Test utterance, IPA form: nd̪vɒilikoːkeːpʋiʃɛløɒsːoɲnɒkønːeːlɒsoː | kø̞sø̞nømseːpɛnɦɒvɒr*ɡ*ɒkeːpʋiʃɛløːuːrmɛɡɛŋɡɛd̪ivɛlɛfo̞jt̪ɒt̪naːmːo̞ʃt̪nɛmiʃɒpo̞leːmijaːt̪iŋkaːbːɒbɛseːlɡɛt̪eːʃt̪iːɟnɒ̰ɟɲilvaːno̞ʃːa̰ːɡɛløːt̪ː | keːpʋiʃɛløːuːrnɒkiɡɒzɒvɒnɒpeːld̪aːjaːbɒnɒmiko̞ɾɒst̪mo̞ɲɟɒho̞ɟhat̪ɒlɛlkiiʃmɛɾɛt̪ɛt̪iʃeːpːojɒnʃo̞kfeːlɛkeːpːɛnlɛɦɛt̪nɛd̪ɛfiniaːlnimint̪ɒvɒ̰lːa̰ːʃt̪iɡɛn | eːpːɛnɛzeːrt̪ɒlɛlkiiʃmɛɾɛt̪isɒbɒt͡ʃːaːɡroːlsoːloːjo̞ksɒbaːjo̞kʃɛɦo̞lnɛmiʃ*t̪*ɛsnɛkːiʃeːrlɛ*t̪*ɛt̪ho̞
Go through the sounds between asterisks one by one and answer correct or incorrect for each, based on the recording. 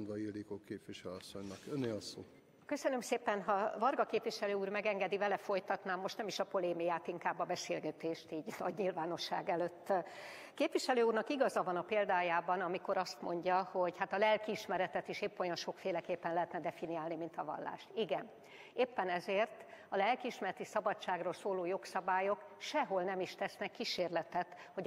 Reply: correct, correct, correct

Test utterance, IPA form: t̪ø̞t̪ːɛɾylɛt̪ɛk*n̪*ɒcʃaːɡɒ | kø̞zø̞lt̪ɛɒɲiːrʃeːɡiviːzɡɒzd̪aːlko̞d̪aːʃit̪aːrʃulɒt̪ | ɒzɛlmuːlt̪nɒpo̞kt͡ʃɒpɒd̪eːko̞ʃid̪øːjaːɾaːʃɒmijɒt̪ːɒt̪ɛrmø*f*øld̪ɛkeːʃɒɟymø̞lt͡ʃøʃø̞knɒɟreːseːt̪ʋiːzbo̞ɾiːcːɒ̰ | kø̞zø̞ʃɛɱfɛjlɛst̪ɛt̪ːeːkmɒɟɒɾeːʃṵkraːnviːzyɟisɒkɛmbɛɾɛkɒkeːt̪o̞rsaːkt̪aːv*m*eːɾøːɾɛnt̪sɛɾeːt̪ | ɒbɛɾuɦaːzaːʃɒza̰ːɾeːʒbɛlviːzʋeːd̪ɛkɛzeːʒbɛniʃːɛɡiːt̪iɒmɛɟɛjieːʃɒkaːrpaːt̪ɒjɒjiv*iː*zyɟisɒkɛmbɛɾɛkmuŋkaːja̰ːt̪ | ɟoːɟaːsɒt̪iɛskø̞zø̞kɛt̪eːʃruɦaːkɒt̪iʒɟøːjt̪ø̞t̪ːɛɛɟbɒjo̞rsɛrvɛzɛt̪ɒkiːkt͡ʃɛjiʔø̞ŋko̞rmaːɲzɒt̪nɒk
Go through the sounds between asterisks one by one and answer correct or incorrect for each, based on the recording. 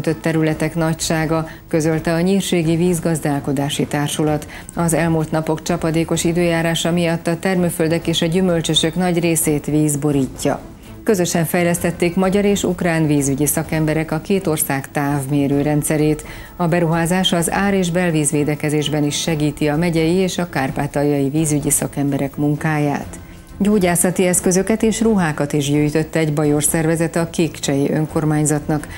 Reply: correct, correct, correct, correct

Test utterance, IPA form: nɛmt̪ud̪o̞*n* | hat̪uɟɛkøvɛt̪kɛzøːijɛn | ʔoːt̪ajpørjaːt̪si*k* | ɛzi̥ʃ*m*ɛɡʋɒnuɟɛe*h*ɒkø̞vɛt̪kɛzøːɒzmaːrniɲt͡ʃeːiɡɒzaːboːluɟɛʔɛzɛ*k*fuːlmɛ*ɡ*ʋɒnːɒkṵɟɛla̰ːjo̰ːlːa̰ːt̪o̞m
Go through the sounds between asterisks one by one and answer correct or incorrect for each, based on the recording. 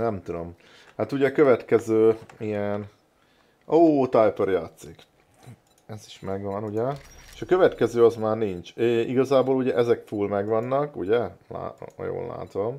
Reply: incorrect, correct, correct, incorrect, correct, correct

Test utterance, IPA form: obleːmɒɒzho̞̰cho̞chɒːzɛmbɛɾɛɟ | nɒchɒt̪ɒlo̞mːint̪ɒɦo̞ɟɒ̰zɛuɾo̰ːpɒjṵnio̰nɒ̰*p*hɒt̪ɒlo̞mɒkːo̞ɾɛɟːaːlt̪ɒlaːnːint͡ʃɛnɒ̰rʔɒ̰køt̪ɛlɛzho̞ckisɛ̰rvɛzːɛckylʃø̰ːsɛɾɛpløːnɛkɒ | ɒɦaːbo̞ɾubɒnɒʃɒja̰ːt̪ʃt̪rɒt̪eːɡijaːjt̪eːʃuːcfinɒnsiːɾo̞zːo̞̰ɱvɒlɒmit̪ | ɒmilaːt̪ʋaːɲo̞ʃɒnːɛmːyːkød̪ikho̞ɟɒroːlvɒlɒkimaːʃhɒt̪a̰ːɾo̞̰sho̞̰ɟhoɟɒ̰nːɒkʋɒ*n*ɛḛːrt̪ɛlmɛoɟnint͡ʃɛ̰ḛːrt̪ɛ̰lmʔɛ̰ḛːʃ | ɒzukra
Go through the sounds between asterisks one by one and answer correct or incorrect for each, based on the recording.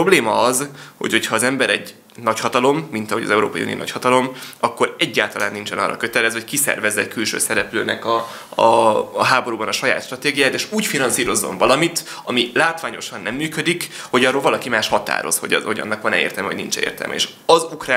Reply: incorrect, correct

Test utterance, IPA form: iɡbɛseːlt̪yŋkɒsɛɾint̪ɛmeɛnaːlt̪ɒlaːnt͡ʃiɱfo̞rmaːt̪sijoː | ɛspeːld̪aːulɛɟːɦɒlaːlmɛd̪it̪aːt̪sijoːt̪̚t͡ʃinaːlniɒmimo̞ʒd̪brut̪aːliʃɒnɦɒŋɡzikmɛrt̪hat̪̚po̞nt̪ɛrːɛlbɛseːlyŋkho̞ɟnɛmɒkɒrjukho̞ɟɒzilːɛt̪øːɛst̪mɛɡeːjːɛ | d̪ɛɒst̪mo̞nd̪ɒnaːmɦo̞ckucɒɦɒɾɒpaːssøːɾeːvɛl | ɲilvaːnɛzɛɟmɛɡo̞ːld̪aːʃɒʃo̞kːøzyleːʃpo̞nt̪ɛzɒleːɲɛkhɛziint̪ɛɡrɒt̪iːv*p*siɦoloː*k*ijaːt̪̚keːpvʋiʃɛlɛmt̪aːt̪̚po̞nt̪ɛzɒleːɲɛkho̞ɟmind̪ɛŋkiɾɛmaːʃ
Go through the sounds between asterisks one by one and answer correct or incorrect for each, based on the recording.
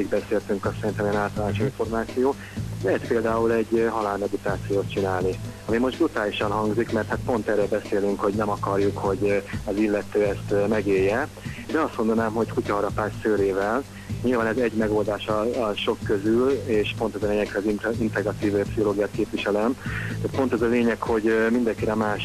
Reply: correct, incorrect

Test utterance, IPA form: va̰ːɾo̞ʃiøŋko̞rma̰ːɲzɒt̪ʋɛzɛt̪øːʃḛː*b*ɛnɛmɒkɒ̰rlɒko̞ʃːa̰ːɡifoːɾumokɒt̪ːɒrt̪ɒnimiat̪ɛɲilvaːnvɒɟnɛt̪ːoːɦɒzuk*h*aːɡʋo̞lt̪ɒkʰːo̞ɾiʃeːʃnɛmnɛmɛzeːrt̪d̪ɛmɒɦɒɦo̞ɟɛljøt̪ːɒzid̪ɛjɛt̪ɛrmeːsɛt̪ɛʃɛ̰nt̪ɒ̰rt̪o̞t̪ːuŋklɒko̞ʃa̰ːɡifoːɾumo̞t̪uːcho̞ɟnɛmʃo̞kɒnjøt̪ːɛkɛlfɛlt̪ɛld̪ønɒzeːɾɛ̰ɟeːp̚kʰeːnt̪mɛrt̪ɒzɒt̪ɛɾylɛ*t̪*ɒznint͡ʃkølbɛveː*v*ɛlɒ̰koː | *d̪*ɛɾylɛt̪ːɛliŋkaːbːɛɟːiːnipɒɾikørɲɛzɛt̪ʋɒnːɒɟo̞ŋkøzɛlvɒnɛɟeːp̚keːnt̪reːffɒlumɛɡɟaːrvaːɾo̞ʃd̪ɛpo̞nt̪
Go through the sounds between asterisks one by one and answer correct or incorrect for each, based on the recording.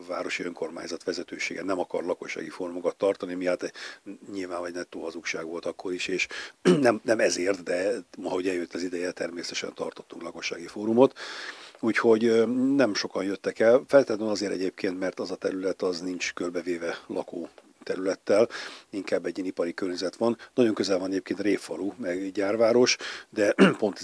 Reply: incorrect, incorrect, correct, correct, incorrect

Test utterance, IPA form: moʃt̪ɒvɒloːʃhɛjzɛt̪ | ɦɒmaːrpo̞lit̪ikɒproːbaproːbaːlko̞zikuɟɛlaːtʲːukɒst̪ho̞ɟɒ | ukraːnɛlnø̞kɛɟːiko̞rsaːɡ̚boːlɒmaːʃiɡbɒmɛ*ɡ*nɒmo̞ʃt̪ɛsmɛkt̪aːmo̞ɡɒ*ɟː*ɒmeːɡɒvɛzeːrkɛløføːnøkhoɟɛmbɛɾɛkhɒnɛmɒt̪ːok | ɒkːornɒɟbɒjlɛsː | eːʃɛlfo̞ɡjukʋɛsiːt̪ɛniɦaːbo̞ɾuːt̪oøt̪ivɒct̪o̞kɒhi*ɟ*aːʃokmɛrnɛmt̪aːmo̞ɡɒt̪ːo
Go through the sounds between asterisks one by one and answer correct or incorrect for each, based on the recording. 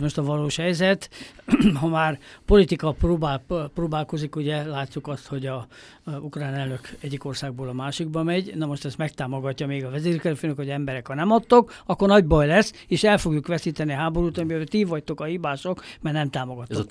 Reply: incorrect, incorrect, incorrect

